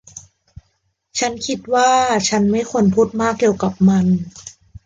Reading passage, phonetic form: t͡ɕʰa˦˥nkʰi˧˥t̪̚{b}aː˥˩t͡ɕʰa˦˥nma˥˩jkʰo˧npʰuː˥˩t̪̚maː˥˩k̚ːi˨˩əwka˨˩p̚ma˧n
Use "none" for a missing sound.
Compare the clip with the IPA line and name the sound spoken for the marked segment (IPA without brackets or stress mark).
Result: w